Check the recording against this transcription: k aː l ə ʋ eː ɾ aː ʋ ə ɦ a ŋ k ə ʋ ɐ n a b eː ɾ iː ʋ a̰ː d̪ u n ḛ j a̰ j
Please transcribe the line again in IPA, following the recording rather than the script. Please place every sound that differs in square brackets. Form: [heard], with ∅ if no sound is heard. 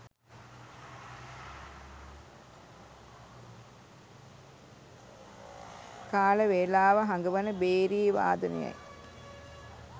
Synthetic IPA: k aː l ə ʋ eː [l] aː ʋ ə ɦ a ŋ [ɡ] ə ʋ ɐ n [ə] b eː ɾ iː ʋ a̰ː d̪ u n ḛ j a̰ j